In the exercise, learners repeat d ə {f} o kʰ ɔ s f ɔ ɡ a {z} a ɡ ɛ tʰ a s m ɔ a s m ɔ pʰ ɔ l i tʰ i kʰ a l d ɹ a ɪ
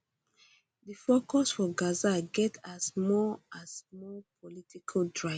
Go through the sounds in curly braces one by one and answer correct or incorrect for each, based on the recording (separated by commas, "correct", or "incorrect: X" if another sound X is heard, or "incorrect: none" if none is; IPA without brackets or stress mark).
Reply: correct, correct